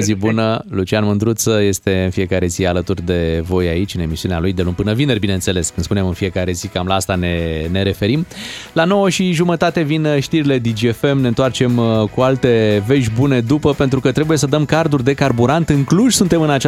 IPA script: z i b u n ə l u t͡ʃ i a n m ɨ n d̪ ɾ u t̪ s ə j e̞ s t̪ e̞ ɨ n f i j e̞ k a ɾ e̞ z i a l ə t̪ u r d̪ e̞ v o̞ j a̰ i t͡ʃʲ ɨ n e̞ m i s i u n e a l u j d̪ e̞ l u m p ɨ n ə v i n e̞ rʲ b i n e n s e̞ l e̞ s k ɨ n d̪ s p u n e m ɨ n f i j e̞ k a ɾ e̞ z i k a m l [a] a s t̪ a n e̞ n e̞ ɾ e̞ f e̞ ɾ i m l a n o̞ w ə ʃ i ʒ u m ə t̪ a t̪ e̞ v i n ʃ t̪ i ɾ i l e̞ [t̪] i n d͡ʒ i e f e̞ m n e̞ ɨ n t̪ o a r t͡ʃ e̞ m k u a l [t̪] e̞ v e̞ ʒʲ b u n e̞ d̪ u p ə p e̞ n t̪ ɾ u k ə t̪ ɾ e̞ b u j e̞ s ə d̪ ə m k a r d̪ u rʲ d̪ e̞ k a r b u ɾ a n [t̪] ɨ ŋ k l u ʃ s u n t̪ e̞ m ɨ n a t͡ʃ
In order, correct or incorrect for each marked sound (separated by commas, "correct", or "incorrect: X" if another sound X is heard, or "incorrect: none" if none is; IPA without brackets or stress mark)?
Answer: correct, incorrect: d̪, correct, correct